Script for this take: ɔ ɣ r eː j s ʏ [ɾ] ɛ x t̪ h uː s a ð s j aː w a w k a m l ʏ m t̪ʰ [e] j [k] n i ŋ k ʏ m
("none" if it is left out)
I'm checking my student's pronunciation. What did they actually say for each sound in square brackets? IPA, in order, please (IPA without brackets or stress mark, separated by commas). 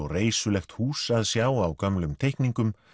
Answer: l, e, k